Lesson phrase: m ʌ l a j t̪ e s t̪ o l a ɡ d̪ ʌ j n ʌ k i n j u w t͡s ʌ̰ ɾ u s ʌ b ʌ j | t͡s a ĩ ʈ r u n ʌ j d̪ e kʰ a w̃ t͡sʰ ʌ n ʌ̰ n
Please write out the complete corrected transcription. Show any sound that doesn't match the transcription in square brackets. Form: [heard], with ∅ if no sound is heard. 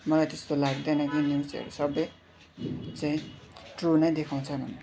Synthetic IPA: m ʌ l a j t̪ e s t̪ o l a ɡ d̪ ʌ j n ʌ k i n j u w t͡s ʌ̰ ɾ u s ʌ b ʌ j | t͡s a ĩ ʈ r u n ʌ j d̪ e kʰ a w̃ t͡sʰ ʌ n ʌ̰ n